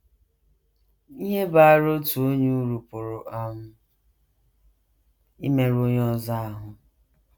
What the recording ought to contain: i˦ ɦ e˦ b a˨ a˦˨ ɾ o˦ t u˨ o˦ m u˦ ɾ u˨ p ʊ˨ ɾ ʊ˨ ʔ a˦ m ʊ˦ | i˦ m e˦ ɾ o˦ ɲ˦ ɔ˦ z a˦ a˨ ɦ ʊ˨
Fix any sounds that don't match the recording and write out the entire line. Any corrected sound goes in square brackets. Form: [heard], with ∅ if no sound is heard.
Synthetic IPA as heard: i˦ ɦ e˦ b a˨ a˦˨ ɾ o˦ t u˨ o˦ [ɲ] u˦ ɾ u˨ p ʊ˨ ɾ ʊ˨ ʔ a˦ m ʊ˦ | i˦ m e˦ ɾ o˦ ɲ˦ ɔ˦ z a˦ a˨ ɦ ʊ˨